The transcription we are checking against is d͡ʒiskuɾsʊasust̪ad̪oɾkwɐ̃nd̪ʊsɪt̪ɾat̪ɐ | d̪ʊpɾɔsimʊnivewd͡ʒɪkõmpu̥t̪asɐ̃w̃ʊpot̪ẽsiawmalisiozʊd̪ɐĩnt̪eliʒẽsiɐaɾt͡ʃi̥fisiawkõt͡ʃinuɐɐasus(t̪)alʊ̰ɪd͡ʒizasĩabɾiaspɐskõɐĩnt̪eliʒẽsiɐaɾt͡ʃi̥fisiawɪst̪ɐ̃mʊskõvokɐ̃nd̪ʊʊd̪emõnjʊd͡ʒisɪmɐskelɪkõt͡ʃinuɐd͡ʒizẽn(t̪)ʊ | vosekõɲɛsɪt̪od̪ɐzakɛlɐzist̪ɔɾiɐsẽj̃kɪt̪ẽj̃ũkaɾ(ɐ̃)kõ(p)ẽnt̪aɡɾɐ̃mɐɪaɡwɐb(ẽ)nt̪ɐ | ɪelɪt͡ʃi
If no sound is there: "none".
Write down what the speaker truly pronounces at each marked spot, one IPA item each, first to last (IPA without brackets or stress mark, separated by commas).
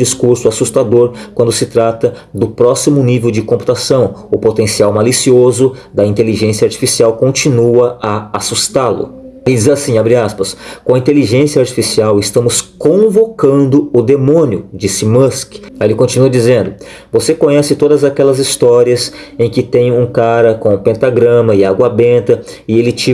t̪, d̪, ɐ, p, ẽ